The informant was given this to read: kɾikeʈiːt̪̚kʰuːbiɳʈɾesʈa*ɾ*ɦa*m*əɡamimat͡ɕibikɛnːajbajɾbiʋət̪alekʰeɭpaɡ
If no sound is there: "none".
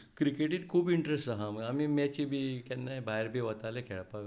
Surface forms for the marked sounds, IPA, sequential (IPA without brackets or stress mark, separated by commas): none, m